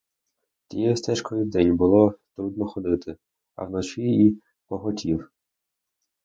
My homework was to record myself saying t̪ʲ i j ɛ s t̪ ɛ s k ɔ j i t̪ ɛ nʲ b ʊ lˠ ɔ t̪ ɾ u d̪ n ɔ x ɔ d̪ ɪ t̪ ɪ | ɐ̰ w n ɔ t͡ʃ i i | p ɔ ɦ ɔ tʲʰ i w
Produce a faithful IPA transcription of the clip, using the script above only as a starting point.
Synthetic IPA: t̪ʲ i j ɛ s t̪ ɛ ʃ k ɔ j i d̪ ɛ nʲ b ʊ lˠ ɔ t̪ ɾ u d̪ n ɔ x ɔ d̪ ɪ t̪ ɪ | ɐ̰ w n ɔ t͡ʃ i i | p ɔ ɦ ɔ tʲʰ i w

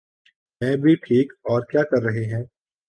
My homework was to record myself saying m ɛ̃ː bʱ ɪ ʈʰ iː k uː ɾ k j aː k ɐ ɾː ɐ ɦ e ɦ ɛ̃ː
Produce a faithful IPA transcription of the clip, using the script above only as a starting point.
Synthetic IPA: m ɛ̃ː bʱ i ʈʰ iː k ɔː ɾ k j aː k ɐ ɾː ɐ ɦ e ɦ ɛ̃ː

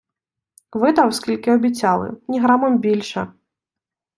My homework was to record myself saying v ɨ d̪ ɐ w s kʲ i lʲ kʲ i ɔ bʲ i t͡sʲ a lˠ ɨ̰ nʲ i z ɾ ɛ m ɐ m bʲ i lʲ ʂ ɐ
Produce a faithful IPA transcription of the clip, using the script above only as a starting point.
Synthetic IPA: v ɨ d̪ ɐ w s kʲ i lʲ kʲ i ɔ bʲ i t͡sʲ a lˠ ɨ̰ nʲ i ɣ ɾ a m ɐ m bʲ i lʲ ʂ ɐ

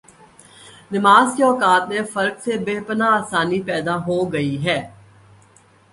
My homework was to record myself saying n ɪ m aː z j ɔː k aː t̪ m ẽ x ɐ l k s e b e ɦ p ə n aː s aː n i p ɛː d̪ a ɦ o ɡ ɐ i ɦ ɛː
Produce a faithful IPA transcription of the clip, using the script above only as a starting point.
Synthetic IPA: n ɪ m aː z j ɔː k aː t̪ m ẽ f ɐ ɾ k s e b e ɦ p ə n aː s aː n i p ɛː d̪ a ɦ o ɡ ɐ i ɦ ɛː

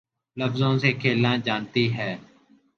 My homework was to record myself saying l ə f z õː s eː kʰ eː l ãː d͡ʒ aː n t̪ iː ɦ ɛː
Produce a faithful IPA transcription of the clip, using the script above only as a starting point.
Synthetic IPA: l ə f z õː s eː kʰ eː l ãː d͡ʒ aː n t̪ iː ɦ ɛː

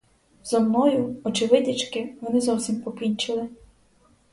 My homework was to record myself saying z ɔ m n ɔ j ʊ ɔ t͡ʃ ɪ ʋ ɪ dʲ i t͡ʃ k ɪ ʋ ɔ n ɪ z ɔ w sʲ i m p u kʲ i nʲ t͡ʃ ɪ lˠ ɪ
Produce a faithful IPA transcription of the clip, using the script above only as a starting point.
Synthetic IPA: z ɔ m n ɔ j ʊ ɔ t͡ʃ ɪ ʋ ɪ dʲ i t͡ʃ k ɪ ʋ ɔ n ɪ z ɔ w sʲ i m p ɔ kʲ i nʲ t͡ʃ ɪ lˠ ɪ

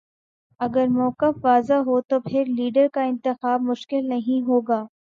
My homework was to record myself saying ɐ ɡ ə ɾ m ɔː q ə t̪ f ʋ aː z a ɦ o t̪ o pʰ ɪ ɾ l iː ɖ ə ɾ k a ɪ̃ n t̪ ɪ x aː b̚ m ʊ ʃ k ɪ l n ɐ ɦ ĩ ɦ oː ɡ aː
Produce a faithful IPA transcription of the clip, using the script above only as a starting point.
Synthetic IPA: ɐ ɡ ə ɾ m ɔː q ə f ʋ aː z a ɦ o t̪ o pʰ ɪ ɾ l iː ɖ ə ɾ k a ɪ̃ n t̪ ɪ x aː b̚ m ʊ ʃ k ɪ l n ɐ ɦ ĩ ɦ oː ɡ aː

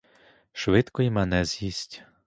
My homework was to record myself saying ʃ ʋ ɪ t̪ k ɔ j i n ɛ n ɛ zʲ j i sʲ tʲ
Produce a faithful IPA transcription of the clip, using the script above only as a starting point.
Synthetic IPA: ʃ ʋ ɪ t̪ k ɔ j i m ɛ n ɛ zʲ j i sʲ tʲ

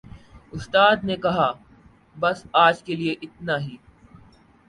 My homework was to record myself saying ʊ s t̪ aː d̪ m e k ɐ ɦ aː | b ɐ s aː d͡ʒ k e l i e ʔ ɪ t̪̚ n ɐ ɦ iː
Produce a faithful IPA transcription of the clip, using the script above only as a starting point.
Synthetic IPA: ʊ s t̪ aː d̪ n e k ɐ ɦ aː | b ɐ s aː d͡ʒ k e l i e ʔ ɪ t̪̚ n a ɦ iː

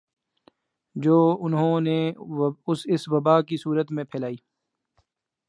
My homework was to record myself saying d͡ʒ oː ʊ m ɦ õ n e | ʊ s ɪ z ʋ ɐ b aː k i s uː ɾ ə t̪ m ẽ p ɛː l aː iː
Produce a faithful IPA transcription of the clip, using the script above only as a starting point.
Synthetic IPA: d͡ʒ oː ʊ n ɦ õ n e | ʊ s ɪ s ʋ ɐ b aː k i s uː ɾ ə t̪ m ẽ pʰ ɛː l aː iː

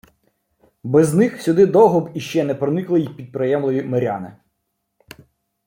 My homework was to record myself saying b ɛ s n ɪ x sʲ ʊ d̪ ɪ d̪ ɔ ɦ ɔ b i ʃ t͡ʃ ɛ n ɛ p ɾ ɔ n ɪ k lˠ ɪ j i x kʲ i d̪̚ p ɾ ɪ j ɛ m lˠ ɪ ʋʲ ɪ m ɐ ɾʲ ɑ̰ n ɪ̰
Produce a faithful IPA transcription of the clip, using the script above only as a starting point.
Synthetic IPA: b ɛ z n ɪ x sʲ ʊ d̪ ɪ d̪ ɔ ɦ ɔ b i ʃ t͡ʃ ɛ n ɛ p ɾ ɔ n ɪ k lˠ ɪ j i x pʲ i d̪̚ p ɾ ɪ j ɛ m lˠ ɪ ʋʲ i m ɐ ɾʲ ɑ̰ n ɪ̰

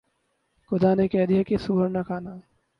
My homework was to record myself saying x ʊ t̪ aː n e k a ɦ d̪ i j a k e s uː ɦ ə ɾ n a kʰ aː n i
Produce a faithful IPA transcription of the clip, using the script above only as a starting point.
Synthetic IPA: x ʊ d̪ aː n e k ɛ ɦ d̪ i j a k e s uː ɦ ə ɾ n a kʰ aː n a

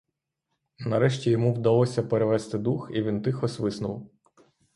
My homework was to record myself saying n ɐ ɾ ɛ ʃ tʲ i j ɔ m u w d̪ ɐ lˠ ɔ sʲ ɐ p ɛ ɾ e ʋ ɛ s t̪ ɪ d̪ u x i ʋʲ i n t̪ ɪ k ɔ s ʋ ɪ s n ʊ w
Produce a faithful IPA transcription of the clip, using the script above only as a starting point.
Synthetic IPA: n ɐ ɾ ɛ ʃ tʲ i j ɔ m u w d̪ ɐ lˠ ɔ sʲ ɐ p e ɾ e ʋ ɛ s t̪ ɪ d̪ u x i ʋʲ i n t̪ ɪ x ɔ s ʋ ɪ s n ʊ w

